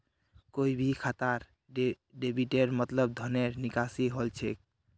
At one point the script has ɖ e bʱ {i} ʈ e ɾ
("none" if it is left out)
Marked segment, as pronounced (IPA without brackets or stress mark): i